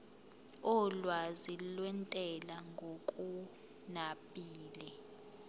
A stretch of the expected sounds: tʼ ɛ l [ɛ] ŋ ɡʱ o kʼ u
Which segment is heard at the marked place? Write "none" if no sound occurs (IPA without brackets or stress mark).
a